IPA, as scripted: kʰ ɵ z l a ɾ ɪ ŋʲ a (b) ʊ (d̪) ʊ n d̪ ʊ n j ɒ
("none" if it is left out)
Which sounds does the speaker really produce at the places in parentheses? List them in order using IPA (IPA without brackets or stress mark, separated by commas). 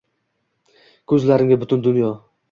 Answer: b, t̪